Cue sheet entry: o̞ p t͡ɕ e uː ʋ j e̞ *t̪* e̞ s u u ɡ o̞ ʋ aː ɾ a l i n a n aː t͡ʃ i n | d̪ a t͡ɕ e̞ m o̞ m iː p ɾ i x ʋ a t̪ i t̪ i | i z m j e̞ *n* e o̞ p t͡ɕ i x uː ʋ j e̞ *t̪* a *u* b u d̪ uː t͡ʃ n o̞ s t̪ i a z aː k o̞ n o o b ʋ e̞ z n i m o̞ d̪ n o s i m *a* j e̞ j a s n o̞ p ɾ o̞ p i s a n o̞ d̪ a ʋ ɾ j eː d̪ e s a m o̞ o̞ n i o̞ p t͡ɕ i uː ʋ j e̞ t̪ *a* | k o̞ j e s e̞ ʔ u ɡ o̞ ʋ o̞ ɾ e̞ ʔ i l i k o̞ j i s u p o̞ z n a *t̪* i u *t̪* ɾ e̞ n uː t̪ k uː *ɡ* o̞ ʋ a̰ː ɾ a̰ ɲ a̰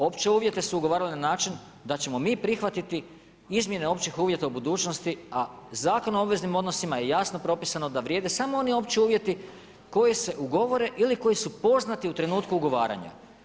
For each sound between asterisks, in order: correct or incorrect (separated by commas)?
correct, correct, correct, correct, correct, incorrect, correct, correct, correct